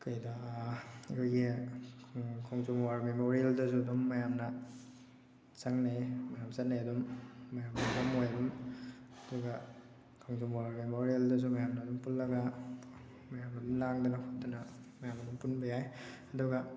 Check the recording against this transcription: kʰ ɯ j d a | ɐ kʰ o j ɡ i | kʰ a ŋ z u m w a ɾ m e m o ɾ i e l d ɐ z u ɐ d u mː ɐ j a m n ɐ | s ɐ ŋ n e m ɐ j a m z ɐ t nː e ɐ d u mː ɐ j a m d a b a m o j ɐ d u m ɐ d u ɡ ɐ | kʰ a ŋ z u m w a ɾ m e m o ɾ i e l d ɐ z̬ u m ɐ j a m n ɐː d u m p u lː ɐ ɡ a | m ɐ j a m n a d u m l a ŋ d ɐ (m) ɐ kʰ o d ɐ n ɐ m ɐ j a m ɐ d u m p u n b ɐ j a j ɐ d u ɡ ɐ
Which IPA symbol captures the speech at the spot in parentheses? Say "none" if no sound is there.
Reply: n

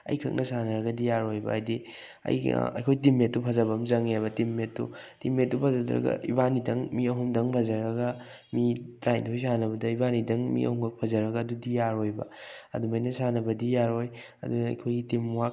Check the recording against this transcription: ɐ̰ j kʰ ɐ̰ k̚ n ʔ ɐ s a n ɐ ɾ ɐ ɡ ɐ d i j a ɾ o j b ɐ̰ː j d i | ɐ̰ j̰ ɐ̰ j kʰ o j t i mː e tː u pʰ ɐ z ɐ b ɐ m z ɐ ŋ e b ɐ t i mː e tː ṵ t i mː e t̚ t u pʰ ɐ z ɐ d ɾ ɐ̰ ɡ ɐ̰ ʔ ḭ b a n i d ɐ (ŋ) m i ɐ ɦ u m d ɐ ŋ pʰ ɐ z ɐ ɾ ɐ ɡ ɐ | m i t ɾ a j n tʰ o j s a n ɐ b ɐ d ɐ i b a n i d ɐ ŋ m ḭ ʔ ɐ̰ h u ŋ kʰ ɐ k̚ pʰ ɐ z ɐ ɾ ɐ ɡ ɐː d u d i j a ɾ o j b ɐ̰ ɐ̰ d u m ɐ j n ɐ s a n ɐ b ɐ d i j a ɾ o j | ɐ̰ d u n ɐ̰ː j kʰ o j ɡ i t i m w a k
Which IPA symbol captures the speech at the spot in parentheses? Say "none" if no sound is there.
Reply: ŋ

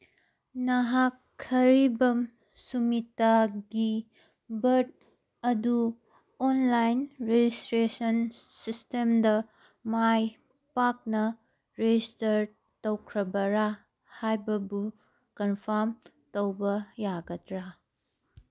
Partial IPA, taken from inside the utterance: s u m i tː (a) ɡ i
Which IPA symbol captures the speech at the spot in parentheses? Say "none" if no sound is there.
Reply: a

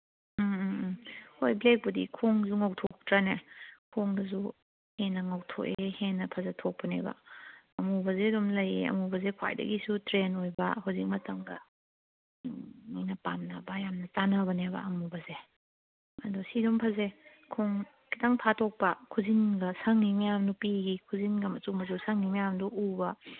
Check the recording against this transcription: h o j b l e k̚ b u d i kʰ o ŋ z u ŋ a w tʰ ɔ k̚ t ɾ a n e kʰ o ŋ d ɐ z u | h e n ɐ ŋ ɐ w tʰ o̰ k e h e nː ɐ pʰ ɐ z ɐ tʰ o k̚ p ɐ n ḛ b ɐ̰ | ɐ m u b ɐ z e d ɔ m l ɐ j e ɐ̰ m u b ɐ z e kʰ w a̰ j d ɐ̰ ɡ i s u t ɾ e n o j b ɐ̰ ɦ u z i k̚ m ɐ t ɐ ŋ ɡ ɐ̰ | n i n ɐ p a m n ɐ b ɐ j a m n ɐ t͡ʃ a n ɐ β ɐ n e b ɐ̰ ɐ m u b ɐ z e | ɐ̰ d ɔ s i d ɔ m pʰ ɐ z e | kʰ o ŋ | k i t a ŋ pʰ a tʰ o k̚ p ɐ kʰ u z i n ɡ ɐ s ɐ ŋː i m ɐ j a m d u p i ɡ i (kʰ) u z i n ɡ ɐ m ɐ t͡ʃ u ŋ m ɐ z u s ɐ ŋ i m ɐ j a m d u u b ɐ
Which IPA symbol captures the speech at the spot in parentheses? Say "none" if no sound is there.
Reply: kʰ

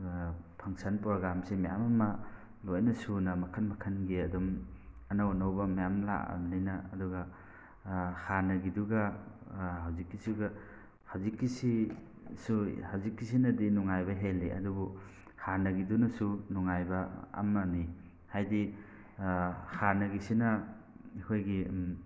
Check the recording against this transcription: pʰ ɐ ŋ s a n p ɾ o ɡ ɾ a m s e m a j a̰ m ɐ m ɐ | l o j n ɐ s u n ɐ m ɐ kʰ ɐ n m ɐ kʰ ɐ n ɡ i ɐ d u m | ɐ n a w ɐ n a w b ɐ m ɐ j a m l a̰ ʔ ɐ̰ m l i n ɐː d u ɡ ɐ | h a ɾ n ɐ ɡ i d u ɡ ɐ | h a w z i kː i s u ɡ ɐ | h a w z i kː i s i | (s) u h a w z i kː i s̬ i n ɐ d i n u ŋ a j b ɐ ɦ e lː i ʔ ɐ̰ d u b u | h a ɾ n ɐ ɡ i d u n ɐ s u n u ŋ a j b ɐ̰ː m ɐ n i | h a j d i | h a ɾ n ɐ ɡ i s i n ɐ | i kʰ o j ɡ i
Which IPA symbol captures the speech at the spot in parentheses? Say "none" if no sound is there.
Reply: s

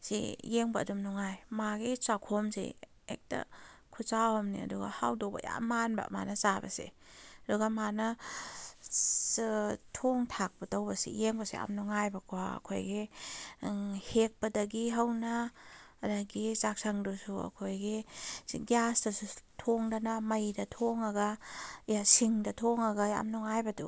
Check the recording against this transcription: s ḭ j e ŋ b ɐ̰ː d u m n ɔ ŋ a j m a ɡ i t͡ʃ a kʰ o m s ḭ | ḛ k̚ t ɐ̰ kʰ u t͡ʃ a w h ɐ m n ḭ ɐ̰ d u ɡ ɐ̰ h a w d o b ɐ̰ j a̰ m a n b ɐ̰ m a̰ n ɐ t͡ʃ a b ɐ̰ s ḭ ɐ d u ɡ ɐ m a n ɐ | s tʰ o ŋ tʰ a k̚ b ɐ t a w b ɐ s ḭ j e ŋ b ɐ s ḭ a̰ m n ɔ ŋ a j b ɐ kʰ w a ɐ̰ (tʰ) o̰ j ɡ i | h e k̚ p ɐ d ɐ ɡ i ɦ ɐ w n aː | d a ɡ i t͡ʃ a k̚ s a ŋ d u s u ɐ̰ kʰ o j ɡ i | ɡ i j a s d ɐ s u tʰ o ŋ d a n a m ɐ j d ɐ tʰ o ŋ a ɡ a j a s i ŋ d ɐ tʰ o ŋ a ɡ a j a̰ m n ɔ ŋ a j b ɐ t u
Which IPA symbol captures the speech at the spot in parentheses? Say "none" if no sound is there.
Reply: kʰ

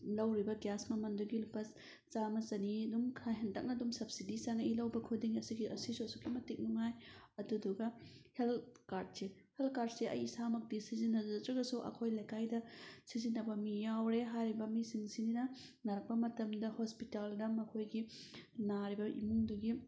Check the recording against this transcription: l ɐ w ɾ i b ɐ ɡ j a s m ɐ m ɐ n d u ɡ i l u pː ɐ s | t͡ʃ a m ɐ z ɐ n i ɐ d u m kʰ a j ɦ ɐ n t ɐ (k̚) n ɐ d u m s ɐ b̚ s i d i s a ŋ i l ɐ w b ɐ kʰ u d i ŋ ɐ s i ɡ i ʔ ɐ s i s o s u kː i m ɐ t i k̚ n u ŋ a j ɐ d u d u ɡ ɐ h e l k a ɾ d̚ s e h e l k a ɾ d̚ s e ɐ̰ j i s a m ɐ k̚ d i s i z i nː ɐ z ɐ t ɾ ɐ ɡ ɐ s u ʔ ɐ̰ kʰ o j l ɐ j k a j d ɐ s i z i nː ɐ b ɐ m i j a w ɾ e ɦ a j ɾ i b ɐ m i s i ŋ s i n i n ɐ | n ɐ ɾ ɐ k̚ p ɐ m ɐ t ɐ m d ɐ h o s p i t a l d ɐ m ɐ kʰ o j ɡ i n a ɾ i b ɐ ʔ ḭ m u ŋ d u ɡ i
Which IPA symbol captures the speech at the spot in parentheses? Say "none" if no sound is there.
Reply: k̚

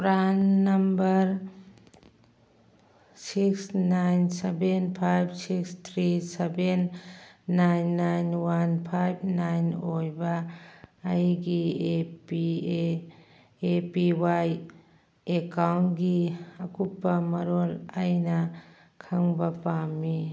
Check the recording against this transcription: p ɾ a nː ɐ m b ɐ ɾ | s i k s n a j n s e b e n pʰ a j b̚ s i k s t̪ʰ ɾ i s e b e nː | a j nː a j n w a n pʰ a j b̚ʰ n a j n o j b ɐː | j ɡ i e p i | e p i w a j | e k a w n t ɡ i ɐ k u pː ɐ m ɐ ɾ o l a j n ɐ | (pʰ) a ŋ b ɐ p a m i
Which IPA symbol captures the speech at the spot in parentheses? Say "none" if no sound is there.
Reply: kʰ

